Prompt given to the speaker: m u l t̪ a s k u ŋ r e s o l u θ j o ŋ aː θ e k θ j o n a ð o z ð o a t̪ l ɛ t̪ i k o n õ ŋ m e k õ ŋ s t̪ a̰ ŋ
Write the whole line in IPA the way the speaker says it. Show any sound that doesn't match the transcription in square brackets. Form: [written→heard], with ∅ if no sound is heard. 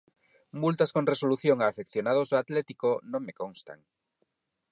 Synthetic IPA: m u l t̪ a s k [u→o] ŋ r e s o l u θ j o ŋ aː [θ→f] e k θ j o n a ð o z ð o a t̪ l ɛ t̪ i k o n õ ŋ m e k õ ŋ s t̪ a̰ ŋ